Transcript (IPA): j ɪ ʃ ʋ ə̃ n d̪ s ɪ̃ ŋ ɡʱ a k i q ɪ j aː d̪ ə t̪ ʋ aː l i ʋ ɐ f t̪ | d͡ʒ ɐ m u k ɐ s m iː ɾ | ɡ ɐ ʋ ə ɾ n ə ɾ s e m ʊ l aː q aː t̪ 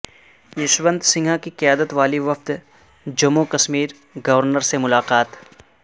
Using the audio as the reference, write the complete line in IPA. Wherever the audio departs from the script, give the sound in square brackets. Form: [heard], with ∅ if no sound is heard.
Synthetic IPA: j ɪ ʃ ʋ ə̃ n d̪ s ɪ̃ ŋ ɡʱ a k i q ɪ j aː d̪ ə t̪ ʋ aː l i ʋ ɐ f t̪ | d͡ʒ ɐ m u k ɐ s m iː ɾ | ɡ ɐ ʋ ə ɾ n ə ɾ s e m ʊ l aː q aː t̪